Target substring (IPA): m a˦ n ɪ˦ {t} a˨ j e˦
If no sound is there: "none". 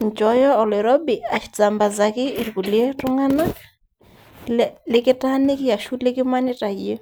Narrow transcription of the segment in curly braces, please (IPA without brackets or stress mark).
t